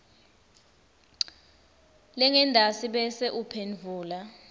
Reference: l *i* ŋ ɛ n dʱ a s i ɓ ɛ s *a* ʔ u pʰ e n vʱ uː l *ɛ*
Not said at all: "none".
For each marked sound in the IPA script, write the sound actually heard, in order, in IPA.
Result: ɛ, ɛ, a

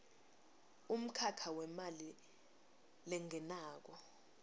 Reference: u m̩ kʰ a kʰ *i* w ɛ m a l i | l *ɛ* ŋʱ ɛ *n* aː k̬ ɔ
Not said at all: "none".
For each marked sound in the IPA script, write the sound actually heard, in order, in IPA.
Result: a, ɛ, n

